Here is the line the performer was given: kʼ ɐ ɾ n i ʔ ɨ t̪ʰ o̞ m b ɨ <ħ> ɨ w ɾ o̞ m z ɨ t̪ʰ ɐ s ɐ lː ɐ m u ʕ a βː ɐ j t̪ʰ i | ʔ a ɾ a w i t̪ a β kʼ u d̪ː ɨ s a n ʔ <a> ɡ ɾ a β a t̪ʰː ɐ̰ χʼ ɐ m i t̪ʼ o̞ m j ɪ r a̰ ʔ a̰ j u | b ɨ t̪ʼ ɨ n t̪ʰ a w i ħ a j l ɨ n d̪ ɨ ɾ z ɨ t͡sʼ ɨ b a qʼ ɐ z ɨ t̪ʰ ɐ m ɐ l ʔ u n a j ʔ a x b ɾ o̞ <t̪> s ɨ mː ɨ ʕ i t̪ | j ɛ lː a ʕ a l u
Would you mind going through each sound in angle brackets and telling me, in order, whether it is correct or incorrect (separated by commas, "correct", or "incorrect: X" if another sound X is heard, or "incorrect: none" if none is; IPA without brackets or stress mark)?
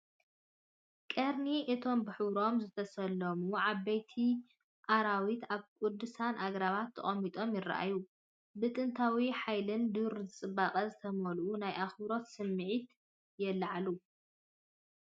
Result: correct, correct, correct